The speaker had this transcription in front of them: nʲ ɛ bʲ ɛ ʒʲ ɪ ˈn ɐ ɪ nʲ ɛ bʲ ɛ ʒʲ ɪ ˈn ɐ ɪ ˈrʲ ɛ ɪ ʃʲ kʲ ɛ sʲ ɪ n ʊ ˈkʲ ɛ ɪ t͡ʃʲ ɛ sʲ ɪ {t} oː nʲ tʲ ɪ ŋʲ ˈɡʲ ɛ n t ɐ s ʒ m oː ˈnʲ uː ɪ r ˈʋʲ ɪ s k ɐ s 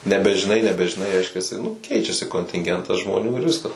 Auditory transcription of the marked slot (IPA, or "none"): k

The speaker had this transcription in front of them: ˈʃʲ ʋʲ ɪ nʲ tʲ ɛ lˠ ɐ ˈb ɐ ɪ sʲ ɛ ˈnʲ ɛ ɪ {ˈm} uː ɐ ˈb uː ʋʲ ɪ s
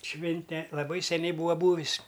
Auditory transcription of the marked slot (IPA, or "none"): b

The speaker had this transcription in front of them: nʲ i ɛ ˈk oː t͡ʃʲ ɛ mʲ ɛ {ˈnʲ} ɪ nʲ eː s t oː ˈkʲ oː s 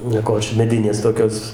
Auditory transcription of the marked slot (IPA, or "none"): dʲ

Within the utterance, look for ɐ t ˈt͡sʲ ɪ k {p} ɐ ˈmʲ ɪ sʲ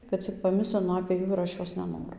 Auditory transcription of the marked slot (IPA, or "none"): p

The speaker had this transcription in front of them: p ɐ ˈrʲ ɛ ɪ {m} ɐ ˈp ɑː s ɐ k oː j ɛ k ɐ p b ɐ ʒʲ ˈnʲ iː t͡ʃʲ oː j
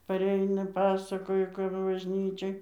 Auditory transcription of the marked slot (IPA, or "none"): n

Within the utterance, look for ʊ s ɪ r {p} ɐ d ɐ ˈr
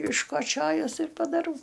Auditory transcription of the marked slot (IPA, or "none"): p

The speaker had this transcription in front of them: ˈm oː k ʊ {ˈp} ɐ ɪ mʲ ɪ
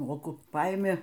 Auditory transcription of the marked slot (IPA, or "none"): p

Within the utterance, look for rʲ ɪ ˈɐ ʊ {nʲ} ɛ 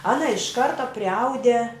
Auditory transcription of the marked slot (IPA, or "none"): dʲ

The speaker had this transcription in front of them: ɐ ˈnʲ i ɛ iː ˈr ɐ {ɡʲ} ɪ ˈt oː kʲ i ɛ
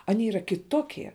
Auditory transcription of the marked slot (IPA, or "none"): kʲ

